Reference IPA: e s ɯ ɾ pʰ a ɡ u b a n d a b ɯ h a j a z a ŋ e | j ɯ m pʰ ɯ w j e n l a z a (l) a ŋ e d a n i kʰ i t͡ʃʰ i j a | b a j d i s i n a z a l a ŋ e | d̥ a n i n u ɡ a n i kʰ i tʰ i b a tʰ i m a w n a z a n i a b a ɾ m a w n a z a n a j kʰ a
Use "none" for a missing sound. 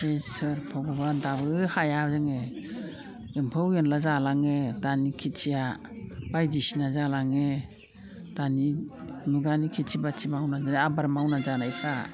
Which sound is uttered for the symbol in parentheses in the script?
l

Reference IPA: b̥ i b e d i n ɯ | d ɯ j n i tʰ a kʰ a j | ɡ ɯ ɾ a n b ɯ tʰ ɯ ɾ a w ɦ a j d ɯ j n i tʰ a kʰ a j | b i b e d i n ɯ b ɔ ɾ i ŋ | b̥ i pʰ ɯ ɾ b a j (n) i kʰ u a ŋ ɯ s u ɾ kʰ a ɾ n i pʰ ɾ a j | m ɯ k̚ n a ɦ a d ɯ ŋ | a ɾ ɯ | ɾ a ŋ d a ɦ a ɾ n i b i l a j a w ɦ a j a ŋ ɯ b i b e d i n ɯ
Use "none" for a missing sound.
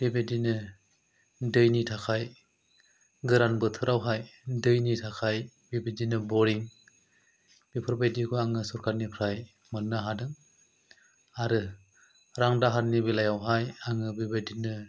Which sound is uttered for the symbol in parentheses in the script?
d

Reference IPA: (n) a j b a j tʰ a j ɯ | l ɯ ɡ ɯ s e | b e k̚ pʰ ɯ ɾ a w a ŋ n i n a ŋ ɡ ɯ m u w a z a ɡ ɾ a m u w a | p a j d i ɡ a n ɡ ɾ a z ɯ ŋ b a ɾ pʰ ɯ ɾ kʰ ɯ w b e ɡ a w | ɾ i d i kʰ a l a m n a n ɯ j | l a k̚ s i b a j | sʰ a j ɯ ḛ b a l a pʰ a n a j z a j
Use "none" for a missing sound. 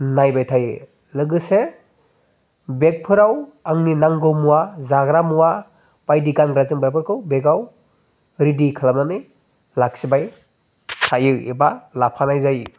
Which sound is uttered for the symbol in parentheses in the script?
n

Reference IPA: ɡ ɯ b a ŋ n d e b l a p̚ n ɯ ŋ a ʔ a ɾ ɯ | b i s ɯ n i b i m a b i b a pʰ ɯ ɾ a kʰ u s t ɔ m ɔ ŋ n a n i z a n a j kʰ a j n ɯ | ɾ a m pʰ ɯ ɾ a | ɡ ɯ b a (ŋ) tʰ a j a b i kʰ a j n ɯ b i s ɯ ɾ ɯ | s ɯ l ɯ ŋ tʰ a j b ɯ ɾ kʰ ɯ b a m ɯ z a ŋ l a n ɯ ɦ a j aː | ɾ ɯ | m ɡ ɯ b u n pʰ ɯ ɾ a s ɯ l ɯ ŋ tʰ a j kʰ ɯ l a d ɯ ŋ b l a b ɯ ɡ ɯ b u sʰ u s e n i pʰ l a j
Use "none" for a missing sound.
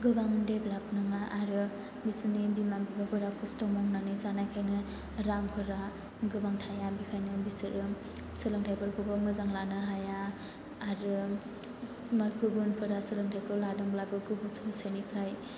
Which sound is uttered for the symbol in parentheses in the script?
ŋ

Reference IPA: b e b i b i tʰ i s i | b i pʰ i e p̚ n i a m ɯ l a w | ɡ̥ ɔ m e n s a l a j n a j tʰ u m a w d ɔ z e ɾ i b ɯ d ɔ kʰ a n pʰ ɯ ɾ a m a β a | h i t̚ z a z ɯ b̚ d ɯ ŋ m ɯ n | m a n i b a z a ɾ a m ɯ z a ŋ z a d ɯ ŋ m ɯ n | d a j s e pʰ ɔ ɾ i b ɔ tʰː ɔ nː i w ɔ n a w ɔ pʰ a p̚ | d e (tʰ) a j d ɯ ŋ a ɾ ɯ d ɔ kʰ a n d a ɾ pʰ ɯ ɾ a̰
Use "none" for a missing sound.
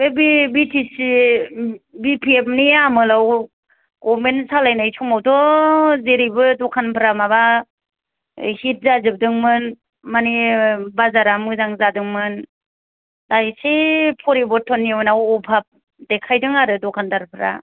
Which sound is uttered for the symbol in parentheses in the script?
kʰ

